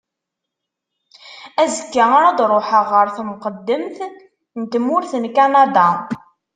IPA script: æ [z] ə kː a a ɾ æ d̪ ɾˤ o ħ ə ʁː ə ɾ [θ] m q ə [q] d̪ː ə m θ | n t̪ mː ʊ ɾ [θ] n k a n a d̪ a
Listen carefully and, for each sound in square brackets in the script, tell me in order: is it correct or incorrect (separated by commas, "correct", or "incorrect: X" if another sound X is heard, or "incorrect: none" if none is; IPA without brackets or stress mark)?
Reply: correct, correct, incorrect: none, correct